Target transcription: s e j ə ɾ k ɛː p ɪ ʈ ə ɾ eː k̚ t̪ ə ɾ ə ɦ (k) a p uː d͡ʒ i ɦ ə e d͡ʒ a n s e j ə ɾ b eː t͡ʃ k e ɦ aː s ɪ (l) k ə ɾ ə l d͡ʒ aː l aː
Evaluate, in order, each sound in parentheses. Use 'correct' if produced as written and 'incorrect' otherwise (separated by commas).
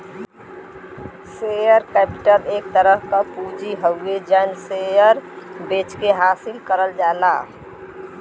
correct, correct